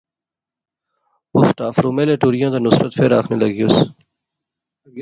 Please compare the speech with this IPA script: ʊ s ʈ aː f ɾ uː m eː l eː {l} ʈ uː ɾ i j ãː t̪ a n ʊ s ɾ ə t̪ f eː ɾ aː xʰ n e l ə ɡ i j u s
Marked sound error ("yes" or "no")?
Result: yes